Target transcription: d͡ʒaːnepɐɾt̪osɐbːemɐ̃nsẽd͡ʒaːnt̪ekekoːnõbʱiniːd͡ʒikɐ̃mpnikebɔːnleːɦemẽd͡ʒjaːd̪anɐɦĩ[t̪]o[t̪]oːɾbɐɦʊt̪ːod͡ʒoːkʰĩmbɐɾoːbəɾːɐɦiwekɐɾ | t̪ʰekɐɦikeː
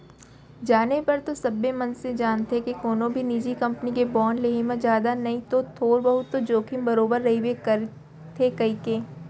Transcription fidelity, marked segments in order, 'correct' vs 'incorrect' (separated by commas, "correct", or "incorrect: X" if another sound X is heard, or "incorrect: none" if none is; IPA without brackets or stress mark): correct, incorrect: t̪ʰ